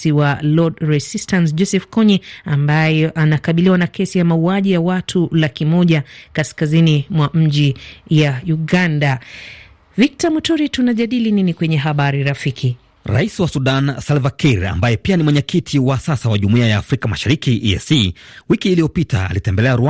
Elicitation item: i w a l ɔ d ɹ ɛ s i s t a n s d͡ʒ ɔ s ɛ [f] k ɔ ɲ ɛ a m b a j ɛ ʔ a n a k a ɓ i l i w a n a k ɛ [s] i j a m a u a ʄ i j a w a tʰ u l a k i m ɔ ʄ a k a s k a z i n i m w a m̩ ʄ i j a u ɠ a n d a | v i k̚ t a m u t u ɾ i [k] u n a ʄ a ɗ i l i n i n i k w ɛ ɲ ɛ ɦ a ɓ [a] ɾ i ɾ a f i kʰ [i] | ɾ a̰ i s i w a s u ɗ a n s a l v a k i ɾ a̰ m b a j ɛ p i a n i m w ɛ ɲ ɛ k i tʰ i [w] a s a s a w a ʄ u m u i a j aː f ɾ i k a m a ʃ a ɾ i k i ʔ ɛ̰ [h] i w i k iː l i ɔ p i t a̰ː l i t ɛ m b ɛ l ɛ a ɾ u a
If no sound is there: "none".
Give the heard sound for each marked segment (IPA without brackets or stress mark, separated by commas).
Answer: f, s, t, a, i, w, s